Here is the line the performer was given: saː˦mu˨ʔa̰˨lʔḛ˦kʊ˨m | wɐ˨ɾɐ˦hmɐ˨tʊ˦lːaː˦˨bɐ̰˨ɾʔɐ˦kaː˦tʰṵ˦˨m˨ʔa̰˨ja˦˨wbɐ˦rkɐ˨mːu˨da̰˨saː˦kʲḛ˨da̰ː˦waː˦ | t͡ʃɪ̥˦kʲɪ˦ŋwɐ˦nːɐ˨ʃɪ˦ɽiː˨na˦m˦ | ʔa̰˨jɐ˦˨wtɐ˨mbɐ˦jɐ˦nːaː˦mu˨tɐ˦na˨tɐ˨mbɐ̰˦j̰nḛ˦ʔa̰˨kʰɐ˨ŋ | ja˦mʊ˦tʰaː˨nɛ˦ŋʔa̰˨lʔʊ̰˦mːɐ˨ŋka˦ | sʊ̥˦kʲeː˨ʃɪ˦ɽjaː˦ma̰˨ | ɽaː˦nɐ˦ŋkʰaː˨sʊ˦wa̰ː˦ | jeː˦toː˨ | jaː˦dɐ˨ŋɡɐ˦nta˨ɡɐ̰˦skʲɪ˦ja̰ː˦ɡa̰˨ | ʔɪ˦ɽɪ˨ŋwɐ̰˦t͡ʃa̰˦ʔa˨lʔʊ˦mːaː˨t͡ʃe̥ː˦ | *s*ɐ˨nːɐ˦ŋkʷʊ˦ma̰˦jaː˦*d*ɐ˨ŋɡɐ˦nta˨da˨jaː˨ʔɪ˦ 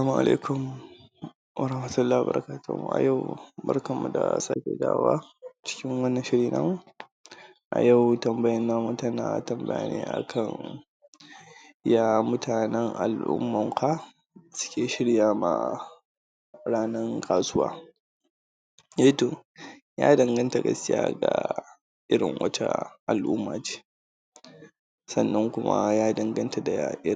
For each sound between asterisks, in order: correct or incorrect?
correct, correct

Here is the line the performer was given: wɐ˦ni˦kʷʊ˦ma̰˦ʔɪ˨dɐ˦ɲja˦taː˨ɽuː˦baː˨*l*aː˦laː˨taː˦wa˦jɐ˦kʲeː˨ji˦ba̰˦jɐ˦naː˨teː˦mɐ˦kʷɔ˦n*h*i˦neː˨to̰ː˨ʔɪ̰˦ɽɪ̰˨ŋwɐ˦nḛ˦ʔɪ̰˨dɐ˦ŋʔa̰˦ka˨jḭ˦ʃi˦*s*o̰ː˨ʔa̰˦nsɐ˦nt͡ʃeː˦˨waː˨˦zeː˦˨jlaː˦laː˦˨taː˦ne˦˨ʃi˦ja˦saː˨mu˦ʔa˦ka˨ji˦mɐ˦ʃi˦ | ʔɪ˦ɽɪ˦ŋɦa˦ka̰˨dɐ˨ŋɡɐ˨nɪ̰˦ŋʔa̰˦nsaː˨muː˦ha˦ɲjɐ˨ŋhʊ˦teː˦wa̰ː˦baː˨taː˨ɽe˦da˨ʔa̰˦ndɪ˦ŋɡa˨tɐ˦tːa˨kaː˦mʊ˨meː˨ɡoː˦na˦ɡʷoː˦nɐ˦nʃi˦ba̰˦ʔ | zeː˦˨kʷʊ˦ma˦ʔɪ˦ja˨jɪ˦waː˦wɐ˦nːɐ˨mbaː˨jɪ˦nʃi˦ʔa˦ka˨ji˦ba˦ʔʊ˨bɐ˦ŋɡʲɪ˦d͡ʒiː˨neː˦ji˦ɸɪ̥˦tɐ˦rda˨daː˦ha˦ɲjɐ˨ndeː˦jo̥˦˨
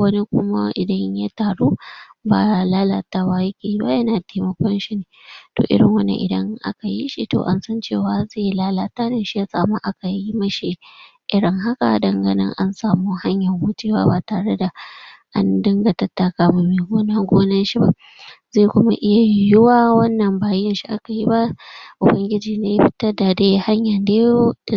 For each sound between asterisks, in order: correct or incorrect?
correct, incorrect: ʃ, incorrect: t

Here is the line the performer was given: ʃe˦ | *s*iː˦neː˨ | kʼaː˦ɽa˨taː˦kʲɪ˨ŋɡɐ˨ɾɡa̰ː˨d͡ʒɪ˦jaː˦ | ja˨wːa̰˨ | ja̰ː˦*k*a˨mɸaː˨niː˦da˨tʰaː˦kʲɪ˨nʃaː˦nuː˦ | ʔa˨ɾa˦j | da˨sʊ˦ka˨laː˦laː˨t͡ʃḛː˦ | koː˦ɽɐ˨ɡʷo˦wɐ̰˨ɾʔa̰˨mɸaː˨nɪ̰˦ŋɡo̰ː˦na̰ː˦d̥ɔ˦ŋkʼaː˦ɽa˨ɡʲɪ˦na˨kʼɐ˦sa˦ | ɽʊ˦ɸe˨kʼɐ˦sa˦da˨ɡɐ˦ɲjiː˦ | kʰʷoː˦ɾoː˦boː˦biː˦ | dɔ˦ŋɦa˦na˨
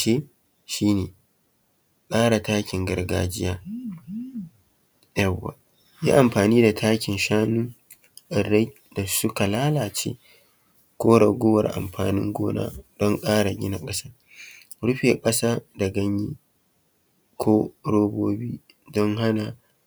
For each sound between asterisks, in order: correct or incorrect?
incorrect: ʃ, incorrect: ʔ

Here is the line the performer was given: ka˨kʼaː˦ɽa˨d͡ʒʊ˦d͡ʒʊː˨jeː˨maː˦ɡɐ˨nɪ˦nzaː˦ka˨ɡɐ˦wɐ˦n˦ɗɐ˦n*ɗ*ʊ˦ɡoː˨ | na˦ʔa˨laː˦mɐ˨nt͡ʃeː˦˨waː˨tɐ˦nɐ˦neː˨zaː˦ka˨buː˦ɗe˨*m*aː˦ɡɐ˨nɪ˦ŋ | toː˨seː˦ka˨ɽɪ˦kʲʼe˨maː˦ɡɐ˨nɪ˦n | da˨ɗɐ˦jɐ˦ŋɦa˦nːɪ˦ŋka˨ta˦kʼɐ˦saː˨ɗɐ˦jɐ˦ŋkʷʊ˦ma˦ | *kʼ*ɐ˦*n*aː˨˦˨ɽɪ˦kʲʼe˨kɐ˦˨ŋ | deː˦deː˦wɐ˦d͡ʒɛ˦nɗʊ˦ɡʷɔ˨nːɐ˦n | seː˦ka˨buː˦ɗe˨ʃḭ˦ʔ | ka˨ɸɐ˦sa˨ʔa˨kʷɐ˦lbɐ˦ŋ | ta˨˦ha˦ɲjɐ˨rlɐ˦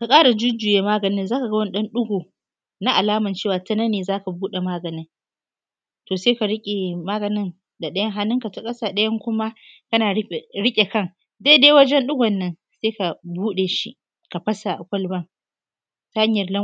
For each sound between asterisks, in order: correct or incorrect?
correct, correct, incorrect: k, correct

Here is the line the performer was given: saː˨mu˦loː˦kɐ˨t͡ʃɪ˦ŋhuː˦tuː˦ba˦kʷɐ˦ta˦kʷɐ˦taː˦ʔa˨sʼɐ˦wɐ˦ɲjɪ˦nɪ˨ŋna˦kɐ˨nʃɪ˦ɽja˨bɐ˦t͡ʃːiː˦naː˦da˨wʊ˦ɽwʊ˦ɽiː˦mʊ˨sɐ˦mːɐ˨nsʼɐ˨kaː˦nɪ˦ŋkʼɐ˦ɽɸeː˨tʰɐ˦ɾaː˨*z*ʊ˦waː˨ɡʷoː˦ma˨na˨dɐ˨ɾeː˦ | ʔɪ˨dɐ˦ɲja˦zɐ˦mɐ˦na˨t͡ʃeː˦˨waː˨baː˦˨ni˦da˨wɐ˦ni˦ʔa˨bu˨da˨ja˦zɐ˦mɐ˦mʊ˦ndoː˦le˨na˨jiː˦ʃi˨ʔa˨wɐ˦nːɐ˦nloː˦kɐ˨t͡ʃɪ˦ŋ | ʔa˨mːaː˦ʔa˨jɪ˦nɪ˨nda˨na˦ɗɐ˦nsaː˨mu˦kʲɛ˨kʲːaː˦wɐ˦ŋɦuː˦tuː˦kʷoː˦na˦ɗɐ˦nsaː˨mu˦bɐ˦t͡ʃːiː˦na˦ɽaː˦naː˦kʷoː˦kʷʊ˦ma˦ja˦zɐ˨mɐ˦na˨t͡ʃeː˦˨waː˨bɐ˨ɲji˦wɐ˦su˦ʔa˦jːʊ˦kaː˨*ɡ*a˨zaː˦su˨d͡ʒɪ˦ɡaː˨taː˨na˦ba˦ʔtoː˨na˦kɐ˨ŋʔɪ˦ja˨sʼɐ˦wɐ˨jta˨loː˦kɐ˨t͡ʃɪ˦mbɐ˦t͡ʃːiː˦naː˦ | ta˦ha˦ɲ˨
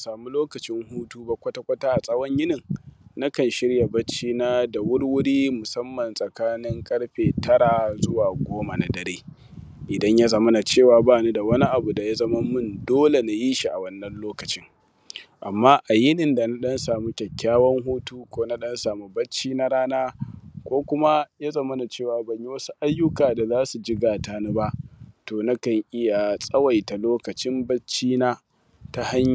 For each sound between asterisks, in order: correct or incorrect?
correct, incorrect: d

